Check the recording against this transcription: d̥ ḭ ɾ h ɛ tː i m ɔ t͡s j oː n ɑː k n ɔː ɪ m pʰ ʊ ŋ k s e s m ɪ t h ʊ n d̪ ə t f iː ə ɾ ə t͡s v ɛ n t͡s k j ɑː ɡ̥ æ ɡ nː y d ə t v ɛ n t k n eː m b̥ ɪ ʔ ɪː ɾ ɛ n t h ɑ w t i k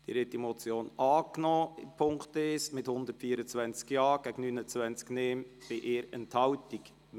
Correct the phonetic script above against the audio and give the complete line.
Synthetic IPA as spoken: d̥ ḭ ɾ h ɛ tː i m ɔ t͡s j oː n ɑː k n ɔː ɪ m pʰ ʊ ŋ k t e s m ɪ t h ʊ n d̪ ə t f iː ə ɾ ə t͡s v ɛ n t͡s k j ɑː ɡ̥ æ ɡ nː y n ə t͡s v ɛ n t͡s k n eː m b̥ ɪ ʔ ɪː ɾ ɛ n t h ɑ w t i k